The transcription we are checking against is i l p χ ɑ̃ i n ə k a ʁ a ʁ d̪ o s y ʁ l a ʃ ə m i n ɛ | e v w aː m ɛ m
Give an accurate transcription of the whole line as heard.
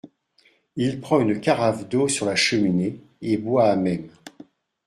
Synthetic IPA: i l p χ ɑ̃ y n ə k a ʁ a v d̪ o s y ʁ l a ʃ ə m i n e | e b w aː m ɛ m

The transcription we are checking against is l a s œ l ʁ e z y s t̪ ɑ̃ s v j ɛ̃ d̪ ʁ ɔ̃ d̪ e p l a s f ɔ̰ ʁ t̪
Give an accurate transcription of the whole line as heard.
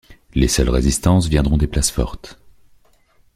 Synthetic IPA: l e s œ l ʁ e z i s t̪ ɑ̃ s v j ɛ̃ d̪ ʁ ɔ̃ d̪ e p l a s f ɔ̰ ʁ t̪

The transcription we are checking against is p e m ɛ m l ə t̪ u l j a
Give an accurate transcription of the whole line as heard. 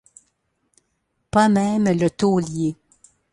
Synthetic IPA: p a m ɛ m l ə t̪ o l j e

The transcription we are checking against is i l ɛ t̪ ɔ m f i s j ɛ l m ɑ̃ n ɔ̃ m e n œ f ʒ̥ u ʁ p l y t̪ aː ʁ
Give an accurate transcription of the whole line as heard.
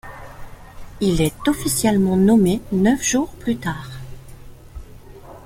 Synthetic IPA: i l ɛ t̪ ɔ f i s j ɛ l m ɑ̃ n ɔ m e n œ f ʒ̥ u ʁ p l y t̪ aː ʁ

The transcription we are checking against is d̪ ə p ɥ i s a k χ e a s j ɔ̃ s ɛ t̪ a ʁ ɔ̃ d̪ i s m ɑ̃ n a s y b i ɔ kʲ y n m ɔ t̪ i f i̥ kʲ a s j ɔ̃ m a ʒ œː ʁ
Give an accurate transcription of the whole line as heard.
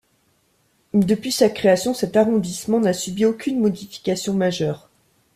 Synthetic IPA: d̪ ə p ɥ i s a k χ e a s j ɔ̃ s ɛ t̪ a ʁ ɔ̃ d̪ i s m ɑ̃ n a s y b i o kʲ y n m ɔ d̪ i f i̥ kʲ a s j ɔ̃ m a ʒ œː ʁ

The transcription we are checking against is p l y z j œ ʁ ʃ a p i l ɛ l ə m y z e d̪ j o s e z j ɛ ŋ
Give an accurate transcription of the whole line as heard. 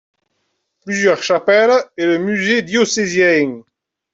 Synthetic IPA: p l y z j œ ʁ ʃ a p ɛ l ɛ l ə m y z e d̪ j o s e z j ɛ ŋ

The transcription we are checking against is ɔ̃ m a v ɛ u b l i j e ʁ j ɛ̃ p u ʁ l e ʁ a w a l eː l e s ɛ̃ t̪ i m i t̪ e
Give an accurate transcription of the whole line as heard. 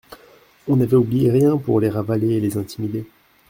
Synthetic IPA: ɔ̃ n a v ɛ u b l i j e ʁ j ɛ̃ p u ʁ l e ʁ a v a l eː l e z ɛ̃ t̪ i m i d̪ e

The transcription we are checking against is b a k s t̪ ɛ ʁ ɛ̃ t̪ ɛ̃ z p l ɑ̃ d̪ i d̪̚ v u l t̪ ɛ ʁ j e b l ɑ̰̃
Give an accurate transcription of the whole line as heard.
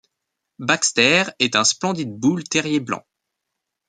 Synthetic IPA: b a k s t̪ ɛ ʁ ɛ t̪ ɛ̃ s p l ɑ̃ d̪ i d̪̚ b u l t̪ ɛ ʁ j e b l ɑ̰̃

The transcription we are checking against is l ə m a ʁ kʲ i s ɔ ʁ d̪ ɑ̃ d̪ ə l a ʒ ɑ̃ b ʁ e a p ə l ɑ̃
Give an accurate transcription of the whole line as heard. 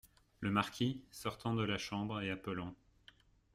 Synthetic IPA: l ə m a ʁ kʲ i s ɔ ʁ t̪ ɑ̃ d̪ ə l a ʃ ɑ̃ b ʁ e a p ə l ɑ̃

